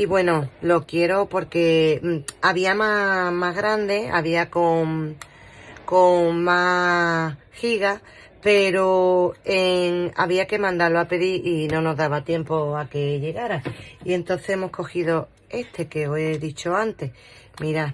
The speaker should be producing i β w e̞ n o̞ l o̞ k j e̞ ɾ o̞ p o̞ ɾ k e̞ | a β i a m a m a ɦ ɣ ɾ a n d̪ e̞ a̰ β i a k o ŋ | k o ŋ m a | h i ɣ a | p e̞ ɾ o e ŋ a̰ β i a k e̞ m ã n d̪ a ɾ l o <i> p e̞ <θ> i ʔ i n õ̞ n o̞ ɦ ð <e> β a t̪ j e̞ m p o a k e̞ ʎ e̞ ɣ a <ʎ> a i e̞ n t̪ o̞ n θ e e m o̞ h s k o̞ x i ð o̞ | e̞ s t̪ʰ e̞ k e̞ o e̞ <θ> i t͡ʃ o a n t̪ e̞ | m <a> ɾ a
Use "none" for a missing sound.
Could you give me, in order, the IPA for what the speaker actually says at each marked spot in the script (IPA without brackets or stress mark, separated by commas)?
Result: a, ð, a, ɾ, ð, i